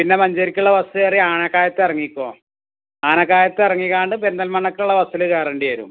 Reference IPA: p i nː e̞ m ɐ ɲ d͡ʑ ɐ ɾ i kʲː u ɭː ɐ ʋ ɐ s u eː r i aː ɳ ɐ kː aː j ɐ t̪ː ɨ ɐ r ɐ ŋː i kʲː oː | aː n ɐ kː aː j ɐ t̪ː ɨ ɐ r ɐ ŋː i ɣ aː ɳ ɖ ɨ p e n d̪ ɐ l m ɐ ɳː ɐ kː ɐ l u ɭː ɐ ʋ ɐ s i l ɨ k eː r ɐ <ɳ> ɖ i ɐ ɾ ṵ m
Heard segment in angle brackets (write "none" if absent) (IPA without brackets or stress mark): ɳ